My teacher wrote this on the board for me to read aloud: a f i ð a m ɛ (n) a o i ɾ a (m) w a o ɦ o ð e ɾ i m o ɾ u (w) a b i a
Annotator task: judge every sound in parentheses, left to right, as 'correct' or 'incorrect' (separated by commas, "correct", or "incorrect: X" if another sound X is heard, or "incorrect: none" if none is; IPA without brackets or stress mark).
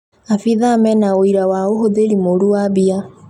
correct, incorrect: none, correct